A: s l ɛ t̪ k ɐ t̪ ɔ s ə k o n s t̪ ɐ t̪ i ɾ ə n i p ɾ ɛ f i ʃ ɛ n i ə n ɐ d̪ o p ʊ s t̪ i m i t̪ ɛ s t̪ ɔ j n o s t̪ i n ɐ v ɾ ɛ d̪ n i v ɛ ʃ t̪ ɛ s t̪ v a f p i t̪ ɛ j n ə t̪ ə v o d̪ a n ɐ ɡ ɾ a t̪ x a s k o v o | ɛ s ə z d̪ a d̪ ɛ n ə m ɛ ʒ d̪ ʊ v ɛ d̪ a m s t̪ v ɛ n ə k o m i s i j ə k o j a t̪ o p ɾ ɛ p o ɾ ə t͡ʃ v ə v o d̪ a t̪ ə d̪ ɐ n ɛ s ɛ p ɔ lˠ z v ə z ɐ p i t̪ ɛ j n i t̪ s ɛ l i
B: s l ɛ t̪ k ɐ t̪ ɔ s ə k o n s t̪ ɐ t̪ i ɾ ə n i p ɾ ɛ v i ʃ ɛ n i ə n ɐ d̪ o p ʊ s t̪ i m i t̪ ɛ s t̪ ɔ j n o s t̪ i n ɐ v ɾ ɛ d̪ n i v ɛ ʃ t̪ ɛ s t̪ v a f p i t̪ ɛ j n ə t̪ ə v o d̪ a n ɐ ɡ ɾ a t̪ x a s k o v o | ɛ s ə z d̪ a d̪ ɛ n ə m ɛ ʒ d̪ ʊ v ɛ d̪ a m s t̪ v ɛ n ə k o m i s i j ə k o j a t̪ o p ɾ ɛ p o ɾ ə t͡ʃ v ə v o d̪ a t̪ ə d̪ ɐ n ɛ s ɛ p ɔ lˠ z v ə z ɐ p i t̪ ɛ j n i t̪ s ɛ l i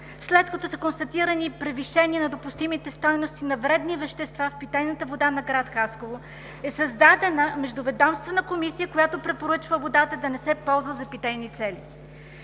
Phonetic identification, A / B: B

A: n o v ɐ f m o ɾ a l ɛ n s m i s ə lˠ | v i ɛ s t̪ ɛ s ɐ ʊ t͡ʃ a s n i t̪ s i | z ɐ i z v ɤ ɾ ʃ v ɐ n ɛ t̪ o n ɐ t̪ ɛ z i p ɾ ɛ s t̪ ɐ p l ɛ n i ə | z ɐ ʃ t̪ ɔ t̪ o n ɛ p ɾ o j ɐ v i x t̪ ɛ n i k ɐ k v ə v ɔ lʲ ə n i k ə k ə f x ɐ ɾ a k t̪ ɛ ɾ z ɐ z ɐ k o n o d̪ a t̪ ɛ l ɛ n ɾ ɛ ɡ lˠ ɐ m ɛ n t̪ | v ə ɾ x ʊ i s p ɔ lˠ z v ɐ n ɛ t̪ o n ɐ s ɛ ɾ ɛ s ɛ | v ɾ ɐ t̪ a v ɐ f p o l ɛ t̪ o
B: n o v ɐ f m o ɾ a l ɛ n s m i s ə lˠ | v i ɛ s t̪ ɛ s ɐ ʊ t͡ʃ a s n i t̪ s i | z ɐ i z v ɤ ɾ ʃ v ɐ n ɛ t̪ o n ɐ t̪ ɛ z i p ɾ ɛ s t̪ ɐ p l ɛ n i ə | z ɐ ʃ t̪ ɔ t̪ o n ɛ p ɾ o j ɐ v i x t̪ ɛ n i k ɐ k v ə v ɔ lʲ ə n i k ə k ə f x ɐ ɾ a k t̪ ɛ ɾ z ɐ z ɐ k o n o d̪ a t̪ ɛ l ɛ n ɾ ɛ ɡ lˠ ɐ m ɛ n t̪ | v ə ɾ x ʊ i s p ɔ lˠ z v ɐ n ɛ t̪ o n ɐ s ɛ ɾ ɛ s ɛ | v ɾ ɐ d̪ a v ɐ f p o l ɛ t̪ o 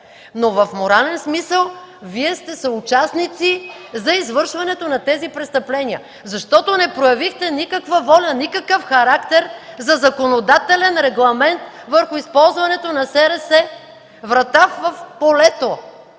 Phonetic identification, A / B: A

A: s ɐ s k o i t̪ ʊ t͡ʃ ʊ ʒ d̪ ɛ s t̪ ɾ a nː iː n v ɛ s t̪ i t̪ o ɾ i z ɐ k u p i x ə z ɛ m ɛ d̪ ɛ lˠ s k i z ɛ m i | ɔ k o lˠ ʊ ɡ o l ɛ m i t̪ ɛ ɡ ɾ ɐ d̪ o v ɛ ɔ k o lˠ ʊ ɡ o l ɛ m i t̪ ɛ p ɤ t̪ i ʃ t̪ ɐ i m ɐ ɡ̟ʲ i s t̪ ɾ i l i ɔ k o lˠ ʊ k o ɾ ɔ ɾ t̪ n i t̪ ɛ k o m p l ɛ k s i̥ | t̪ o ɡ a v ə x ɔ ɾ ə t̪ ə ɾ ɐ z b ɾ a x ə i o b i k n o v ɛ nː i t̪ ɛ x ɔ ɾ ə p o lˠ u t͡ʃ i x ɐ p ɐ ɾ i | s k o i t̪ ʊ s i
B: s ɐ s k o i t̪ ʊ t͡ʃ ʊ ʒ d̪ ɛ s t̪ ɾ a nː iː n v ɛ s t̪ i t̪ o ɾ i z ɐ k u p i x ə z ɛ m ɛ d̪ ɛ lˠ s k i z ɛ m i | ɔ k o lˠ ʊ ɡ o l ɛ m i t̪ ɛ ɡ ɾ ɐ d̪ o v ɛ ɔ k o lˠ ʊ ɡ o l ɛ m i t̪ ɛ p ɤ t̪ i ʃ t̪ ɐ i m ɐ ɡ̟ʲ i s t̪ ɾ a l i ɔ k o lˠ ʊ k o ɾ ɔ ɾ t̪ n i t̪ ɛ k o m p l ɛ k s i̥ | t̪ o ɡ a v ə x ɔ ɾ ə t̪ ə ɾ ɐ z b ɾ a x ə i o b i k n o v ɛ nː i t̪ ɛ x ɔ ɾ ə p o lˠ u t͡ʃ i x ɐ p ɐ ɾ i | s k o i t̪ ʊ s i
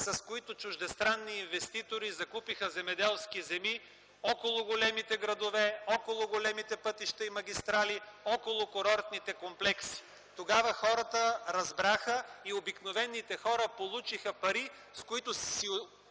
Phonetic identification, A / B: B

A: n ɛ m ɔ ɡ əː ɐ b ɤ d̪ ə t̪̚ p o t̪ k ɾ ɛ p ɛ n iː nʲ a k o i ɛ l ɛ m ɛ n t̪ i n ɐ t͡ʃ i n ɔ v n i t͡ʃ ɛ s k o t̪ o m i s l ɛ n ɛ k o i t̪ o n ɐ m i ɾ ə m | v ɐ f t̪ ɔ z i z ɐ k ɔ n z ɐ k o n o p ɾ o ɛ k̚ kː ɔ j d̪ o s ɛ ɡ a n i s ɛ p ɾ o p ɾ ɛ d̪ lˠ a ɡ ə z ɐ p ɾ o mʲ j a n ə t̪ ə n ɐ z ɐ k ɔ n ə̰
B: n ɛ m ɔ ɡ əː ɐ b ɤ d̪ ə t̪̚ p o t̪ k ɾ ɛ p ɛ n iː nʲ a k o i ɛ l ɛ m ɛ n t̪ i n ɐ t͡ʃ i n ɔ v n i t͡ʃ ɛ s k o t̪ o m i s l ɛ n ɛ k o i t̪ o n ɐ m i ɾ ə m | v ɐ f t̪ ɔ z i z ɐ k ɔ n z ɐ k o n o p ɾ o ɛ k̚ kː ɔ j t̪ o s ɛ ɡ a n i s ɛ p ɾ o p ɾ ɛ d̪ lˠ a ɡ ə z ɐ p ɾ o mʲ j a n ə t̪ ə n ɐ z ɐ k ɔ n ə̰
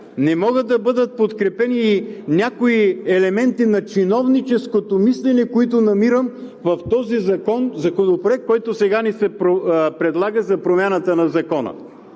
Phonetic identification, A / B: B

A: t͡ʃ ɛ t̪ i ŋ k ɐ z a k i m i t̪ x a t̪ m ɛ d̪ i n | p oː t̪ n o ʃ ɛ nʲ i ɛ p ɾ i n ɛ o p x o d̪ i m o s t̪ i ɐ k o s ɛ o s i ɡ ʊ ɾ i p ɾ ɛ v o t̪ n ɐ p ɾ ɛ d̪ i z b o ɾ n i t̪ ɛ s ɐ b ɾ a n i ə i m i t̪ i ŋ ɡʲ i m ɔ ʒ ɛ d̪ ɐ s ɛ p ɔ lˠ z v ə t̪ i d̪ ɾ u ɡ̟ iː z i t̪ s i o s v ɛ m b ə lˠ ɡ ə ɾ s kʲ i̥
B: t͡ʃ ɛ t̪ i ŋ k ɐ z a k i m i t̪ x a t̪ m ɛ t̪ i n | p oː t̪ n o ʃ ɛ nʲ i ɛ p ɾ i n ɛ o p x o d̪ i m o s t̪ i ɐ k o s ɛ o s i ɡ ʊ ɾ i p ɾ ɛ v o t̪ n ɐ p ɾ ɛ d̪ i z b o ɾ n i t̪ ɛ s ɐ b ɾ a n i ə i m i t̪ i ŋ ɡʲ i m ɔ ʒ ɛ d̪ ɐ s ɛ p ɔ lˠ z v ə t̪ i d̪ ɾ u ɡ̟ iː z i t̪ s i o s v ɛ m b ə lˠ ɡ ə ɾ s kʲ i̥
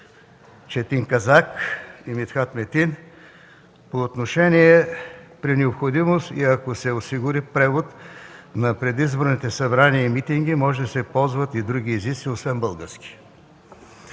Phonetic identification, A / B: B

